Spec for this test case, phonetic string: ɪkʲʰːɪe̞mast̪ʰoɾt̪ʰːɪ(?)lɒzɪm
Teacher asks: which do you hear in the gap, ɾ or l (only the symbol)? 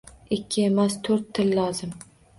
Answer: l